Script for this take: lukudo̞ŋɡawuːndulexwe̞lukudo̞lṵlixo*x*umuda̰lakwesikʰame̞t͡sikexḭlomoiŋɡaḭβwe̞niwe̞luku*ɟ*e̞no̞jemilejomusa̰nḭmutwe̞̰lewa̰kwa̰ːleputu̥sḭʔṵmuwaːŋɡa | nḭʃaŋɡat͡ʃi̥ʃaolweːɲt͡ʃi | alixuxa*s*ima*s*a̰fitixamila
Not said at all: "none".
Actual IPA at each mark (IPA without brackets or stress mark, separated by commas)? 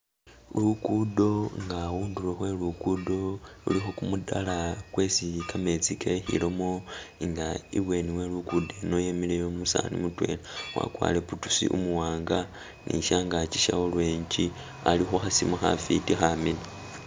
k, d, s, x